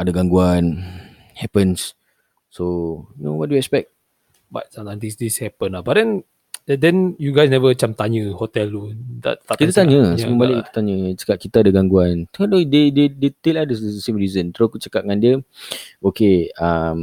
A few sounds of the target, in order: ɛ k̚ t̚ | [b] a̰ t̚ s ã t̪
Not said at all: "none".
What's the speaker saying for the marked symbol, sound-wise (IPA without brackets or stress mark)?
b